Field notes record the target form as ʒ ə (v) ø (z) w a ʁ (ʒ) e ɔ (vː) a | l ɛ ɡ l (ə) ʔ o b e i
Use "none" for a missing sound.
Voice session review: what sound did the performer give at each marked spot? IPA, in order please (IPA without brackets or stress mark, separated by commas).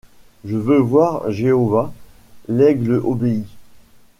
v, v, ʒ, v, ə